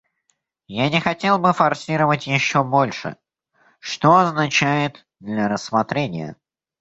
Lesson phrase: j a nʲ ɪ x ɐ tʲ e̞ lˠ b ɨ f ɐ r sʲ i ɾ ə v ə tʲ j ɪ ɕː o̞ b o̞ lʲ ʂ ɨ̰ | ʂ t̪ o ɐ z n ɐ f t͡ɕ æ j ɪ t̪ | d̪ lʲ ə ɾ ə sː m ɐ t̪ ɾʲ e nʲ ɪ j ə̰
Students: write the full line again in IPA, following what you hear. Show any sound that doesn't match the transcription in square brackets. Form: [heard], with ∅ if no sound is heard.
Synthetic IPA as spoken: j a nʲ ɪ x ɐ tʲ e̞ lˠ b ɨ f ɐ r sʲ i ɾ ə v ə tʲ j ɪ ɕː o̞ b o̞ lʲ ʂ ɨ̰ | ʂ t̪ o ɐ z n ɐ [∅] t͡ɕ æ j ɪ t̪ | d̪ lʲ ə ɾ ə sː m ɐ t̪ ɾʲ e nʲ ɪ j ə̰